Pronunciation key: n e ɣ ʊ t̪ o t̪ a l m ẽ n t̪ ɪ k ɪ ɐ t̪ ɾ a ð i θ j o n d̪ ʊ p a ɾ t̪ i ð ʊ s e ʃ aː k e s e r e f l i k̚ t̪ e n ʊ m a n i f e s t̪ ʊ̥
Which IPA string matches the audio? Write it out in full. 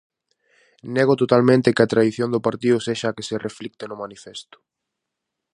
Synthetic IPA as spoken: n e ɣ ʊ t̪ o t̪ a l m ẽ n t̪ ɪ k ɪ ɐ t̪ ɾ a ð i θ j o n d̪ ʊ p a ɾ t̪ i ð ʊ s e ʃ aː k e s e r e f l i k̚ t̪ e n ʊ m a n i f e s t̪ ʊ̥